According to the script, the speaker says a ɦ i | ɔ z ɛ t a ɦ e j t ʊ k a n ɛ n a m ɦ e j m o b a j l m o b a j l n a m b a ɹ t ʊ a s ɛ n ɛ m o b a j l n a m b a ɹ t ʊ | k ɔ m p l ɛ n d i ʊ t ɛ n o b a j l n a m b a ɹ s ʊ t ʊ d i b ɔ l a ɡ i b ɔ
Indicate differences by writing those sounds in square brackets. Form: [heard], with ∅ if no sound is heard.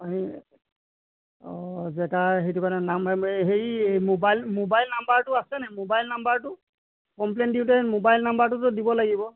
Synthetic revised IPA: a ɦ i | ɔ z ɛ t a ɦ e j t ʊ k a n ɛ n a m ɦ e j m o b a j l m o b a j l n a m b a ɹ t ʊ a s ɛ n ɛ m o b a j l n a m b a ɹ t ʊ | k ɔ m p l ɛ n d i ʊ t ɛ [m] o b a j l n a m b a ɹ [t] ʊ t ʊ d i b ɔ l a ɡ i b ɔ